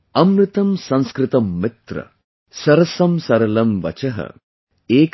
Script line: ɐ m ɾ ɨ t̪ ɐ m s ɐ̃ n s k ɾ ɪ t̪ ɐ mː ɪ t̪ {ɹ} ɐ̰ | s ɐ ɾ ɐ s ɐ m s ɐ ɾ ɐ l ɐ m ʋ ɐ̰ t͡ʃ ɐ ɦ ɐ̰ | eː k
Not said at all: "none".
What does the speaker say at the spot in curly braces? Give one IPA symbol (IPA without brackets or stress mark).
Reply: ɾ